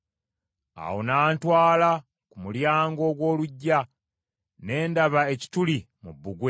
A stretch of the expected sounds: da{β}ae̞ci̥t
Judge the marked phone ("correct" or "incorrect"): correct